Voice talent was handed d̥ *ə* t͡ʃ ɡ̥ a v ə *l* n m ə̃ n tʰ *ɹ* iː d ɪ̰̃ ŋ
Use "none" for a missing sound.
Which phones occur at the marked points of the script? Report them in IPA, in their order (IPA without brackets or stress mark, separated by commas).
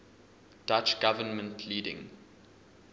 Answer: a, none, l